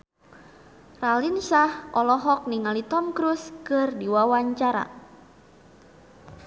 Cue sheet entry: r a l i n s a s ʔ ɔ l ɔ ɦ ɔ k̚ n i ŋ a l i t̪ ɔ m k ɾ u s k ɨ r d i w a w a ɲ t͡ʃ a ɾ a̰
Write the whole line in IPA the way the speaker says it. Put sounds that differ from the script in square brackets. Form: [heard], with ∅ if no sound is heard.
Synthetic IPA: r a l i n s a [h] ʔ ɔ l ɔ ɦ ɔ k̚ n i ŋ a l i t̪ ɔ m k ɾ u s k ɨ r d i w a w a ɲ t͡ʃ a ɾ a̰